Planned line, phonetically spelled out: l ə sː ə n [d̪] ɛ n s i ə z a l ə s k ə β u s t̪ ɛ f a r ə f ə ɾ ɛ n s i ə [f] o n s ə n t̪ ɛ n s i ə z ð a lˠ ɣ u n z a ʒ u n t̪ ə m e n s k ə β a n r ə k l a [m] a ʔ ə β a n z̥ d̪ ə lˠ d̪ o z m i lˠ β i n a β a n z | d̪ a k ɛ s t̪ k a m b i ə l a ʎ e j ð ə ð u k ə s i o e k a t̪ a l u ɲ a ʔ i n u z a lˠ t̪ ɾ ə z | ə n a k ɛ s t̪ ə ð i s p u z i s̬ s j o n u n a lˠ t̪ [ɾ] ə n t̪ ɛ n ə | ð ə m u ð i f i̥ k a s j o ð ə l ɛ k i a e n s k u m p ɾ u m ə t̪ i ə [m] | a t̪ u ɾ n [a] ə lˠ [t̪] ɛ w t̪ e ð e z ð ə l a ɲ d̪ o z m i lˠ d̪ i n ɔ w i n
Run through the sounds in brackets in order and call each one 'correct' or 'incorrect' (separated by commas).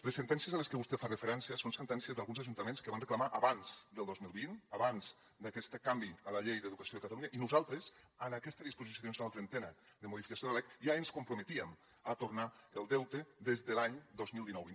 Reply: incorrect, incorrect, correct, correct, correct, correct, incorrect